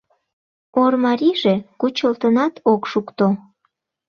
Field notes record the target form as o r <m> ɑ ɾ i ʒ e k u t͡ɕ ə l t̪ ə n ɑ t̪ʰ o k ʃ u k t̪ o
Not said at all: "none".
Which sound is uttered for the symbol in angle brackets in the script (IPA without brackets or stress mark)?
m